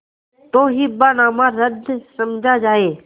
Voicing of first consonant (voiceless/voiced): voiceless